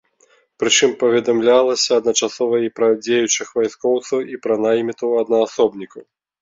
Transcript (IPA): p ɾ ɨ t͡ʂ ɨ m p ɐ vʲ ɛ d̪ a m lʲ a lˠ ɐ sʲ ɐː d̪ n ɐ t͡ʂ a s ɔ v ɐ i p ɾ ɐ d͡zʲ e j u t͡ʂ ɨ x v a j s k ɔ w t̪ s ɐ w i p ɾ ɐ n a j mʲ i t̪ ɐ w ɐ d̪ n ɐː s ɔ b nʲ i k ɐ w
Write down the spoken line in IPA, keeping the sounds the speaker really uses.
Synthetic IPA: p ɾ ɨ t͡ʂ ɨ m p ɐ vʲ ɛ d̪ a m lʲ a lˠ ɐ sʲ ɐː d̪ n ɐ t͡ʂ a s ɔ v ɐ i p ɾ ɐ d͡zʲ e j u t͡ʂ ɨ x v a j s k ɔ w t̪ s ɐ w i p ɾ ɐ n a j mʲ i t̪ ɐ w ɐ d̪ n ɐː s ɔ b nʲ i k ɐ w